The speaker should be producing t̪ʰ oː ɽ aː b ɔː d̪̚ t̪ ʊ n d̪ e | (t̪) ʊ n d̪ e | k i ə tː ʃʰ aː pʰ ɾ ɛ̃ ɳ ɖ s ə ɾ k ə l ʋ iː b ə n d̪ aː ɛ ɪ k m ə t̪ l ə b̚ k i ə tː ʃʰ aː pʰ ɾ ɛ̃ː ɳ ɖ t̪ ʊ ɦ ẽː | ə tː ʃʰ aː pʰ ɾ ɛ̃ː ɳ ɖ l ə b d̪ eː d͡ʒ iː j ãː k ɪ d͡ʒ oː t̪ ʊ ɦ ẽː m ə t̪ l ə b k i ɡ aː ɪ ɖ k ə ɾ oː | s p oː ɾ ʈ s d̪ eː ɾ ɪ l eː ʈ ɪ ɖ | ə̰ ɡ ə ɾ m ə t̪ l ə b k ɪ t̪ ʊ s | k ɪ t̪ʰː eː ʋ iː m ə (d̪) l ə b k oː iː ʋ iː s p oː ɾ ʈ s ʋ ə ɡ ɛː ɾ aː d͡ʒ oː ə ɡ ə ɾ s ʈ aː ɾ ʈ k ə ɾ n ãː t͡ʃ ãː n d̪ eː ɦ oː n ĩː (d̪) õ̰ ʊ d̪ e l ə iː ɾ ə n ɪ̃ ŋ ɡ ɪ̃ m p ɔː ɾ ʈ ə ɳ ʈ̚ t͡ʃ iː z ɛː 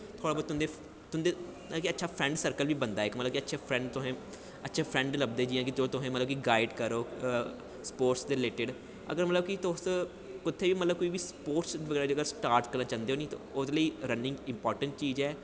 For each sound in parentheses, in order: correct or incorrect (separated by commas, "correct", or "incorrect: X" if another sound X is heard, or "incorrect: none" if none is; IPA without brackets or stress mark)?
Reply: correct, incorrect: t̪, incorrect: t̪